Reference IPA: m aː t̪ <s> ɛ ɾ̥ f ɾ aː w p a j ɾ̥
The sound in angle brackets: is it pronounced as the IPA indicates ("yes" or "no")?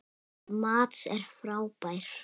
yes